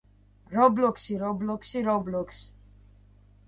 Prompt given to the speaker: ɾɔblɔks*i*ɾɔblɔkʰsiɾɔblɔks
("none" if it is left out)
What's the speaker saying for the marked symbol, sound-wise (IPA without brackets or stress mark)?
i